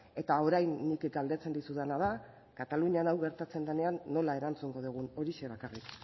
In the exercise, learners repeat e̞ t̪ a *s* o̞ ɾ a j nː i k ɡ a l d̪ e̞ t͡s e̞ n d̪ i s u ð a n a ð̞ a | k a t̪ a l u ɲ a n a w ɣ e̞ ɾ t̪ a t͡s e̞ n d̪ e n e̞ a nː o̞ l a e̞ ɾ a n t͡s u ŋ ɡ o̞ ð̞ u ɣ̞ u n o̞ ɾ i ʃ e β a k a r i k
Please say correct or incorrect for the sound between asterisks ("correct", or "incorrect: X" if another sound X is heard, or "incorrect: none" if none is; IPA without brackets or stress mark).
incorrect: none